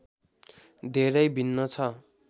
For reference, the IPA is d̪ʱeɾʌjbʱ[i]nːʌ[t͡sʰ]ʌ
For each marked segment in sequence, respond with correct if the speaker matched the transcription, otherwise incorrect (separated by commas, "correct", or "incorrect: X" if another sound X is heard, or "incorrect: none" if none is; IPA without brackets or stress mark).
correct, correct